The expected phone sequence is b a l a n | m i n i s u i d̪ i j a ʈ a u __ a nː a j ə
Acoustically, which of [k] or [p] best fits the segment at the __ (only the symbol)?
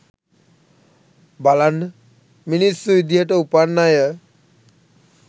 p